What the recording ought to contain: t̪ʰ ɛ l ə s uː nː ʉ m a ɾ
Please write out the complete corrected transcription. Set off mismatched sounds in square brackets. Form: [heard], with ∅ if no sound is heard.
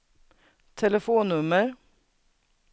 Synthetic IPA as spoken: t̪ʰ ɛ l ə [f] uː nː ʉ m [ə] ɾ